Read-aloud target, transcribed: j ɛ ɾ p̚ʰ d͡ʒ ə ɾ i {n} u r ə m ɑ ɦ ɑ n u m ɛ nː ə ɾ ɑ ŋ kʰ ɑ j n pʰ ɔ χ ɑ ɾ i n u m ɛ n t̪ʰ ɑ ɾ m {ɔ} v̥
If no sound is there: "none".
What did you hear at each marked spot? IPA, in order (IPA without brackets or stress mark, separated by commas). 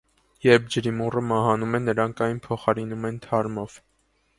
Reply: m, ɔ